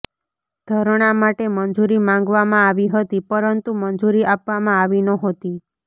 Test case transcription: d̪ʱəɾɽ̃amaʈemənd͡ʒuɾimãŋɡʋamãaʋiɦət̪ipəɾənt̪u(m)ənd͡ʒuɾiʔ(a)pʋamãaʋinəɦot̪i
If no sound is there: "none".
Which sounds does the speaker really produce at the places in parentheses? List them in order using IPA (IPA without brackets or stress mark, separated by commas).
m, a